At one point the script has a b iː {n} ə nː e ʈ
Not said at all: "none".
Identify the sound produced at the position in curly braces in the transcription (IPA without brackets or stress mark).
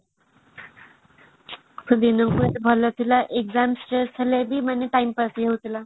m